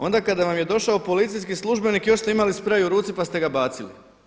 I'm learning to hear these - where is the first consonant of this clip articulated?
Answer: tongue tip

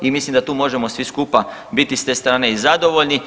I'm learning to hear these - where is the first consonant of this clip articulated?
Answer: lips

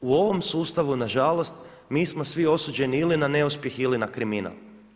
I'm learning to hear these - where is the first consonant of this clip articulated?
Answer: lips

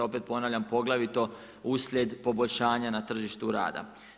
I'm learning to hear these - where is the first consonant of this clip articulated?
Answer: lips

